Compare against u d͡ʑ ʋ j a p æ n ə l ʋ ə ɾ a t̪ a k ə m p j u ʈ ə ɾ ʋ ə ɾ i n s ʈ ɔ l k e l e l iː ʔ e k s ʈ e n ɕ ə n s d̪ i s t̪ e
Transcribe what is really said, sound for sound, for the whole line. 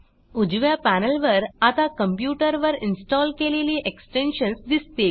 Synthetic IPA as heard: u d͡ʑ ʋ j a p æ n ə l ʋ ə ɾ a t̪ a k ə m p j u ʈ ə ɾ ʋ ə ɾ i n s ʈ ɔ l k e l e l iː ʔ e k s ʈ e n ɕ ə n s d̪ i s t̪ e